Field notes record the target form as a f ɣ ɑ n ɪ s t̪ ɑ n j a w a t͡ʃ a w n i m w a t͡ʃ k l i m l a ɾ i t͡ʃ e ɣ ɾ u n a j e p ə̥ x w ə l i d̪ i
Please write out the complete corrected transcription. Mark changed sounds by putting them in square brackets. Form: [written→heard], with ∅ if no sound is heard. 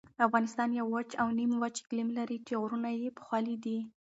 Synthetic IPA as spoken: a f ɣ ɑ n ɪ s t̪ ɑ n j a w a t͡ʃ a w n i m w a t͡ʃ k l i m l a ɾ i t͡ʃ e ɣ ɾ u n a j e p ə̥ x w [ə→ɑ] l i d̪ i